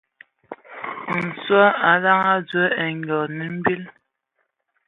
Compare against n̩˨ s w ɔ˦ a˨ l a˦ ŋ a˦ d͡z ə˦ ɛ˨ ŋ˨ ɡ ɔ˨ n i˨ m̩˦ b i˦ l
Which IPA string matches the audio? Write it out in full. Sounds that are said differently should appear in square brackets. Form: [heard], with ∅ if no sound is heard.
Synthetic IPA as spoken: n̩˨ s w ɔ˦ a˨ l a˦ ŋ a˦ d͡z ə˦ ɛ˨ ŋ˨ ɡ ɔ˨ n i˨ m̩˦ b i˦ l